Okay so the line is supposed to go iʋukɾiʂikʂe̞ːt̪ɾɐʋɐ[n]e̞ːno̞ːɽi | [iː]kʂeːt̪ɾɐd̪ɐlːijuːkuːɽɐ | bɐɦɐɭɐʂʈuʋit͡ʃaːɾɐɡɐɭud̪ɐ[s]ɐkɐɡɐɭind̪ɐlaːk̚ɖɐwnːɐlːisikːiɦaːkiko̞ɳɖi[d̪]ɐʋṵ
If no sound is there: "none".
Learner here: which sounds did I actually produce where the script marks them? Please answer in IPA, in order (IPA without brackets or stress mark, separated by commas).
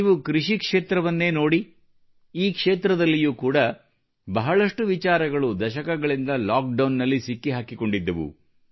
nː, iː, ʃ, d̪ː